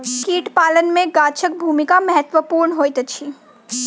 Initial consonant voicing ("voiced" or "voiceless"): voiceless